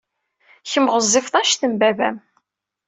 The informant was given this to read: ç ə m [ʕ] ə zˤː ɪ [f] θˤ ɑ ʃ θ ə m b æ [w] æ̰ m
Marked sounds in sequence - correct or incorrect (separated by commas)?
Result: incorrect, correct, incorrect